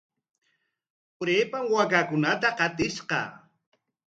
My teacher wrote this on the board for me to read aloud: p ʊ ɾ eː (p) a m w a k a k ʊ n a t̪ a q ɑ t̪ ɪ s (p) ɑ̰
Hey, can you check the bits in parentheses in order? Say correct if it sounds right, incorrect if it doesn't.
correct, incorrect: q

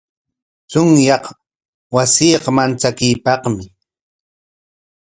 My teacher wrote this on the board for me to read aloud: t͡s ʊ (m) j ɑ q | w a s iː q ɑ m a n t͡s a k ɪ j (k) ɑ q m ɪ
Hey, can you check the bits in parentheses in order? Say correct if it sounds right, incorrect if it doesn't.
incorrect: ŋ, incorrect: p

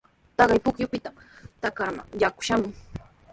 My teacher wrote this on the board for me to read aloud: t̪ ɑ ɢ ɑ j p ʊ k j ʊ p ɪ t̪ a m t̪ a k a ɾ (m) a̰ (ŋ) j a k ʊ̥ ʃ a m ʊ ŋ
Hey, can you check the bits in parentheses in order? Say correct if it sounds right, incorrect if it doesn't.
correct, correct

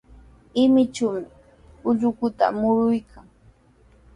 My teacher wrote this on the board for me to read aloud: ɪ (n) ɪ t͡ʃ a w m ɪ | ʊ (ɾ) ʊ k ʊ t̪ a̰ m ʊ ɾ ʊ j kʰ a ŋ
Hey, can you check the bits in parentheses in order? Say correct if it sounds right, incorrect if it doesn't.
incorrect: m, incorrect: ʎ

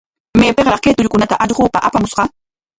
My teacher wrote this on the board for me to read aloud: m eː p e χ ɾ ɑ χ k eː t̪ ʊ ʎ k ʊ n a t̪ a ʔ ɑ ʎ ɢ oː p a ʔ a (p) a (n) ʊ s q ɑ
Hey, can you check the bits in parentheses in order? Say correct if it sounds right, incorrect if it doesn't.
correct, incorrect: m

